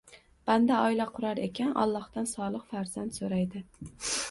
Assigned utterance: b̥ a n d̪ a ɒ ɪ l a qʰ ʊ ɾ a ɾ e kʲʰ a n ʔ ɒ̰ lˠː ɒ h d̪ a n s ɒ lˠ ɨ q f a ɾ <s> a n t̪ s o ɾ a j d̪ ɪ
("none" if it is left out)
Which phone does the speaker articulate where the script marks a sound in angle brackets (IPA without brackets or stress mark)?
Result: z